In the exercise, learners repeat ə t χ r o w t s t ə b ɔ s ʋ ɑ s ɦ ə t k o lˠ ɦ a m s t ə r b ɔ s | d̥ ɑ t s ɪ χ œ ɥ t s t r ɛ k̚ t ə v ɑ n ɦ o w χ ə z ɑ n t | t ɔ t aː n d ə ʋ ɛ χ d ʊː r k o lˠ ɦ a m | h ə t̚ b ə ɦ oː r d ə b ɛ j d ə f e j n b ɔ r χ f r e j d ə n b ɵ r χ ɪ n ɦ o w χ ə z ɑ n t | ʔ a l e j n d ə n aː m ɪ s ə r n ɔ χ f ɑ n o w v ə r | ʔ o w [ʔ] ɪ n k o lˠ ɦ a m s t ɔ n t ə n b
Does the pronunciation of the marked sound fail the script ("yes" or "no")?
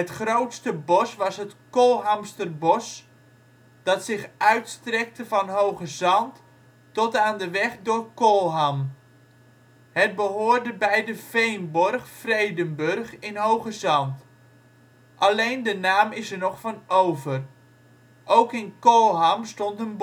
yes